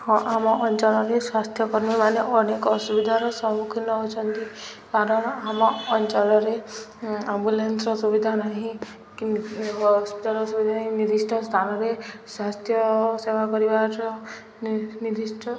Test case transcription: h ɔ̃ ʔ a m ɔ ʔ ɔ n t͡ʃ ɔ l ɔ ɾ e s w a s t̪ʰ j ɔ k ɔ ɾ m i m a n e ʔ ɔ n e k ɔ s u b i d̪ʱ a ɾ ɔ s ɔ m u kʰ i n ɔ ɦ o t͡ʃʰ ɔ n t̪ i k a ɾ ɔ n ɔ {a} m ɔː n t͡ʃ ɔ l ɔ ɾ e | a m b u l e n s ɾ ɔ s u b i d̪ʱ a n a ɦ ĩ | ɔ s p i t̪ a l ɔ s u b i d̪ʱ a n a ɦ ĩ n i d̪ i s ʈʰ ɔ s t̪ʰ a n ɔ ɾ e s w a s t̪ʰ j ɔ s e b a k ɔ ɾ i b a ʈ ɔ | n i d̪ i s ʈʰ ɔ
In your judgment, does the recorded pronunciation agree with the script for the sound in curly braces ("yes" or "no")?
yes